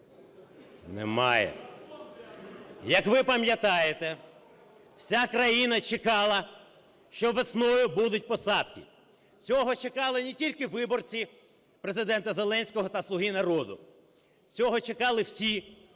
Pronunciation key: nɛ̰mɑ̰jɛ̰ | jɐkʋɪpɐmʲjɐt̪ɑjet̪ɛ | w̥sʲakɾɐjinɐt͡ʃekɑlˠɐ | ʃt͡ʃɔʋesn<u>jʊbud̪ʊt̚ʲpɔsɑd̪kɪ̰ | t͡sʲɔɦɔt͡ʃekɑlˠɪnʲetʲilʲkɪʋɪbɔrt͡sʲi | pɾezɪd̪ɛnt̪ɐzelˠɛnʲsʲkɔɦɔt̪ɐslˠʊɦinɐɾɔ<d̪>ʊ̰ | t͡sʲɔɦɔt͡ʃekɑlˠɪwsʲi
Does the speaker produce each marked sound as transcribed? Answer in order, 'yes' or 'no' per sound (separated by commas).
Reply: no, yes